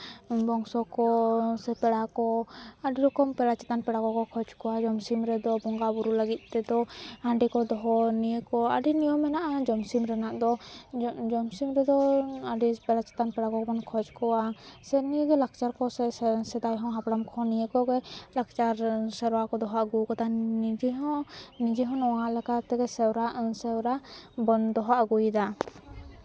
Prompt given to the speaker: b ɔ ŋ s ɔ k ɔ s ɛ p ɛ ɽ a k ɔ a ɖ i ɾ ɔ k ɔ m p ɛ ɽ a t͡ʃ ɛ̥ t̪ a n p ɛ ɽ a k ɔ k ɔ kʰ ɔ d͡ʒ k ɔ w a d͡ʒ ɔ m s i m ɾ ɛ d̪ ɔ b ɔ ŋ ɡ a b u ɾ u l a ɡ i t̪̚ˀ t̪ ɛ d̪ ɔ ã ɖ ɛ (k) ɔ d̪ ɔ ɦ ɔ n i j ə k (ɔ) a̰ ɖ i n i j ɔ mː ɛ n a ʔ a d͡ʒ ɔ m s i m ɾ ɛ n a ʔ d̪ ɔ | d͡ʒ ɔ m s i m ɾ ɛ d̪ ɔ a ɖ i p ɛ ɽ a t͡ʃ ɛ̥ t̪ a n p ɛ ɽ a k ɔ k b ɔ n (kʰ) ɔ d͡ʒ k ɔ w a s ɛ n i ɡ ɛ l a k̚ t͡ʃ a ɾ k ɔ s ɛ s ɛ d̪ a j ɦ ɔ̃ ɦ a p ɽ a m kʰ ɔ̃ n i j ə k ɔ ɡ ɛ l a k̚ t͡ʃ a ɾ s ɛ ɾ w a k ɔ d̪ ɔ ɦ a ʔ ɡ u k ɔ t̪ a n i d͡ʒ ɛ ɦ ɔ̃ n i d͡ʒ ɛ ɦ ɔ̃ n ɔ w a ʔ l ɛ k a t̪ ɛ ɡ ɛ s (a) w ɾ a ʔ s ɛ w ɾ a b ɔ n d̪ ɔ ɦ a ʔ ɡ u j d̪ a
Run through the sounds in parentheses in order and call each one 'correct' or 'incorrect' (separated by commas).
correct, correct, correct, incorrect